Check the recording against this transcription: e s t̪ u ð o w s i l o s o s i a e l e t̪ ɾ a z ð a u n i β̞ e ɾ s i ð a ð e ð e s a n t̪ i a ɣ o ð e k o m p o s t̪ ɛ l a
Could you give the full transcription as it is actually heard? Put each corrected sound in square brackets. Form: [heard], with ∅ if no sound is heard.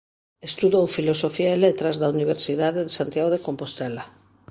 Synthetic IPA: e s t̪ u ð o w [f] i l o s o [f] i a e l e t̪ ɾ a z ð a u n i β̞ e ɾ s i ð a ð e ð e s a n t̪ [j] a ɣ o ð e k o m p o s t̪ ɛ l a